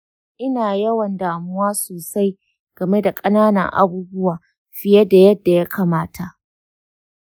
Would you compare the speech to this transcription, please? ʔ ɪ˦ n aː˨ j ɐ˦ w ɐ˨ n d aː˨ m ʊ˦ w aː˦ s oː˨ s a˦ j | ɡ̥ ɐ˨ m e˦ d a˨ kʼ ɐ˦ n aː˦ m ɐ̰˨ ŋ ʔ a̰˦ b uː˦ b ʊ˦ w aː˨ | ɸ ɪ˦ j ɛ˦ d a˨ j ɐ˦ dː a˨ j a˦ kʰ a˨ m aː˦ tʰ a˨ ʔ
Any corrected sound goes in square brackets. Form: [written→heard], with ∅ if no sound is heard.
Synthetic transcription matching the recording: ʔ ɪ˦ n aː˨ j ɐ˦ w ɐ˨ n d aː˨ m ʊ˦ w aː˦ s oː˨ s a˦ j | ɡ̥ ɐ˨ m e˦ d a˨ kʼ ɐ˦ n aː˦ [m→n] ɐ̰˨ ŋ ʔ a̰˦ b uː˦ b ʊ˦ w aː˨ | ɸ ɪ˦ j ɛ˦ d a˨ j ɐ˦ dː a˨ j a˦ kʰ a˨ m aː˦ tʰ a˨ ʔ